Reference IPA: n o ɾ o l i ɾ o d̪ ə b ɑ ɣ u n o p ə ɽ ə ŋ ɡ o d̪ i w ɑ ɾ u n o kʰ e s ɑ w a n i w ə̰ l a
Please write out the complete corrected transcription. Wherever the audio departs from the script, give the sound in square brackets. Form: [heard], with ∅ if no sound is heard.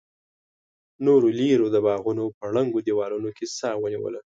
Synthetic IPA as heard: n o ɾ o l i ɾ o d̪ ə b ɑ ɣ u n o p ə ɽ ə ŋ ɡ o d̪ i w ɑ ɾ u n o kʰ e s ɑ w [ə] n i w ə̰ l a